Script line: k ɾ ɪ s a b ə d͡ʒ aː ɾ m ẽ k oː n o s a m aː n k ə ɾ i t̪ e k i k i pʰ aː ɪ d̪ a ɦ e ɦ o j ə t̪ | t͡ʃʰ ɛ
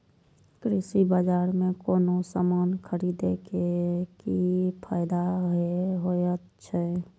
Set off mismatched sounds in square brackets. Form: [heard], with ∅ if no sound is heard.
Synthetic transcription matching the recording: k ɾ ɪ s [i] b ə d͡ʒ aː ɾ m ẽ k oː n o s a m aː n [kʰ] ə ɾ i [d̪] e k [e] k i pʰ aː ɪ d̪ a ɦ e ɦ o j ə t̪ | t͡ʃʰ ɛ